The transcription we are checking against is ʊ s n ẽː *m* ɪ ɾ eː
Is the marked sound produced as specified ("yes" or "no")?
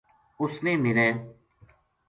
yes